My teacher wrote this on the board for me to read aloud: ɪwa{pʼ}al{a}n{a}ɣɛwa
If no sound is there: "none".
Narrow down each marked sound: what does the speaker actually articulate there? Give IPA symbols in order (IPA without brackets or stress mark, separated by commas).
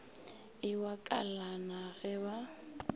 kʼ, a, a